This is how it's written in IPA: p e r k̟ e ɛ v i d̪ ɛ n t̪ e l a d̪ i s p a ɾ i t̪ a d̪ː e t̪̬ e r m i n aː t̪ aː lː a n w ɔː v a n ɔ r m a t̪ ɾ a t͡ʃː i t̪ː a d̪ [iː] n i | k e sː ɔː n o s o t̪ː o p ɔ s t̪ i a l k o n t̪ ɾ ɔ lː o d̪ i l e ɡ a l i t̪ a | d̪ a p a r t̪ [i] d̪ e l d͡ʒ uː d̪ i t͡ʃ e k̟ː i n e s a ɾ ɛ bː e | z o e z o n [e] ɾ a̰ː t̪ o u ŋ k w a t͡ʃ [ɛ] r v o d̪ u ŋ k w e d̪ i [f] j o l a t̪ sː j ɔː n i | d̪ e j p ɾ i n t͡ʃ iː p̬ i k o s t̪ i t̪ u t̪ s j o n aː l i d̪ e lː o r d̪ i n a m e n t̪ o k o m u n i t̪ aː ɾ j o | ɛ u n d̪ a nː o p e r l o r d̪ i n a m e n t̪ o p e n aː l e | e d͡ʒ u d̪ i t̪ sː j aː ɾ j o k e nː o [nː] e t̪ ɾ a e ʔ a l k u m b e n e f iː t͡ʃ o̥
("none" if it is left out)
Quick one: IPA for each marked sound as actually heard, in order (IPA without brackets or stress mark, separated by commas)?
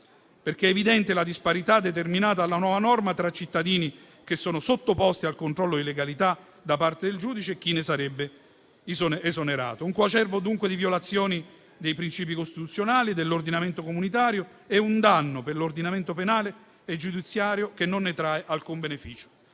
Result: iː, e, e, ɛ, v, nː